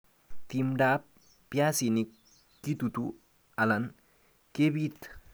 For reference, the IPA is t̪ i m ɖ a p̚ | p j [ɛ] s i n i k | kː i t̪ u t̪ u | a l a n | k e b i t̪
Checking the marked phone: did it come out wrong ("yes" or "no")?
yes